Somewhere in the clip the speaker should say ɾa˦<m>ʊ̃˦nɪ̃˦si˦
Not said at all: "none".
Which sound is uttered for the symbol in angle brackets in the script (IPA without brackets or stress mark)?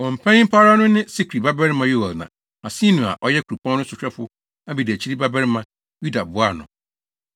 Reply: n